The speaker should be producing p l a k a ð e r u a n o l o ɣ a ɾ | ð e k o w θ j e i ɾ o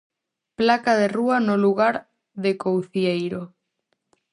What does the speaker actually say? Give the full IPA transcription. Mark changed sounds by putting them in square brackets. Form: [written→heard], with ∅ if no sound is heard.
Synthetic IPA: p l a k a ð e r u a n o l [o→u] ɣ a ɾ | ð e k o w θ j e [i→j] ɾ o